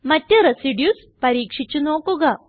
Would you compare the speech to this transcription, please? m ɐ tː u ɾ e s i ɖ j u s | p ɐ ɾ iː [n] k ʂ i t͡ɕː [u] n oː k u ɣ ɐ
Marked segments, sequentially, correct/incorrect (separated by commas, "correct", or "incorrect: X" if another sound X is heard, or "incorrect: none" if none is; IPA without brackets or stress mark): incorrect: none, correct